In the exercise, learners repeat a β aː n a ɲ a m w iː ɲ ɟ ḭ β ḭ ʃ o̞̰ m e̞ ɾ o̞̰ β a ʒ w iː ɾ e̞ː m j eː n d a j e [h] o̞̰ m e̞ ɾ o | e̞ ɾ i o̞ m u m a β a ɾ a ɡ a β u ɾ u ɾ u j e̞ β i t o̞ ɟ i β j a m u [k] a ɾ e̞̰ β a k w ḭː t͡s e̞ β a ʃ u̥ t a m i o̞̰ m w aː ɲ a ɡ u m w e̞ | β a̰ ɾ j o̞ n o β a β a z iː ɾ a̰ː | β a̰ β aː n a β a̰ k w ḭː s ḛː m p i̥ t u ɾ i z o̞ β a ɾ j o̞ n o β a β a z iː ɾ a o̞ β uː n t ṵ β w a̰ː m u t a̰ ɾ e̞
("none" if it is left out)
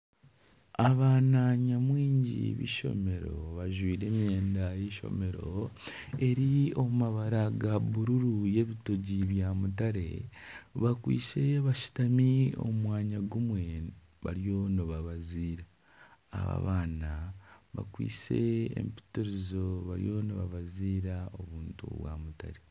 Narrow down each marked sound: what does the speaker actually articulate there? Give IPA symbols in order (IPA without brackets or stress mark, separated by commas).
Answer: ʃ, t